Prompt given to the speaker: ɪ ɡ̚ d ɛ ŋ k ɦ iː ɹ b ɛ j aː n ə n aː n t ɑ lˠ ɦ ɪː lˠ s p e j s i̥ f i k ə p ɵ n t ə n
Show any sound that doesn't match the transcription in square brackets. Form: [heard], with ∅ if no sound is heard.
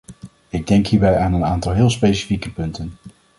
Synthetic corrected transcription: ɪ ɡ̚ d ɛ ŋ k ɦ iː ɹ b ɛ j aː n ə n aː n t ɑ lˠ ɦ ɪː lˠ s p e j s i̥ f i k ə p ɵ n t ə n